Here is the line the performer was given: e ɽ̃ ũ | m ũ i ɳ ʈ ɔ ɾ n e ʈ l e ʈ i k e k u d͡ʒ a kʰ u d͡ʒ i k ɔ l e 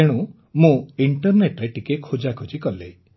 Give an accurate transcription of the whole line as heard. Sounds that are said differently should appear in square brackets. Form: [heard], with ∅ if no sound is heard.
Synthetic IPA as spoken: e ɽ̃ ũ | m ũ i ɳ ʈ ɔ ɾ n e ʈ [ɾ] e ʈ i k e [kʰ] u d͡ʒ a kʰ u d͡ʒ i k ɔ l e